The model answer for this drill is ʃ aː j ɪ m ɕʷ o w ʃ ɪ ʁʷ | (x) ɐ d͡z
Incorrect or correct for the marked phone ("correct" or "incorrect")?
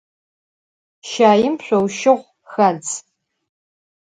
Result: correct